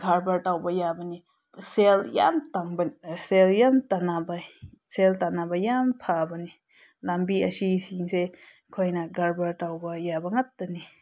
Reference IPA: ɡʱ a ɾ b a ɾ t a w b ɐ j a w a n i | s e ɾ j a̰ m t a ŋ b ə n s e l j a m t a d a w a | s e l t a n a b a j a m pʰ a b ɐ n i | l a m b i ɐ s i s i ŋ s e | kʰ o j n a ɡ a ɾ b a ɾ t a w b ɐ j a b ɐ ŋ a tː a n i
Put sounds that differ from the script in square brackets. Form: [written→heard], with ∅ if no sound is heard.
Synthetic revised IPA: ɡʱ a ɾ b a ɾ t a w b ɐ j a [w→b] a n i | s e [ɾ→l] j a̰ m t a ŋ b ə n s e l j a m t a [d→n] a [w→b] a | s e l t a n a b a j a m pʰ a b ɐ n i | l a m b i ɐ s i s i ŋ s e | kʰ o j n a ɡ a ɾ b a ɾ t a w b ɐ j a b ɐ ŋ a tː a n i